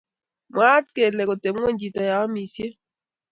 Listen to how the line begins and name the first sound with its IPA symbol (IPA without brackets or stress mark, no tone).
m